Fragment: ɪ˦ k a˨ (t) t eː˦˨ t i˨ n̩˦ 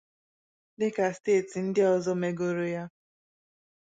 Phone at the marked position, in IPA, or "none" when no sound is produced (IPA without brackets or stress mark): s